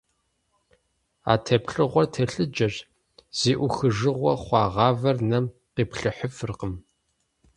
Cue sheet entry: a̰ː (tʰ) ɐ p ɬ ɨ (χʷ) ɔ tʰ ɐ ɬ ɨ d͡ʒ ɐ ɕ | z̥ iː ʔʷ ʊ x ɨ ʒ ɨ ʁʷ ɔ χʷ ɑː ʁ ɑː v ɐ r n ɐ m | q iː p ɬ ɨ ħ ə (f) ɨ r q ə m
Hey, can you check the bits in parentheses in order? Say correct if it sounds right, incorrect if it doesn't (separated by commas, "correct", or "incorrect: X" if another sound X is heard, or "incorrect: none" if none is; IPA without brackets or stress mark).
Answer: correct, incorrect: ʁʷ, correct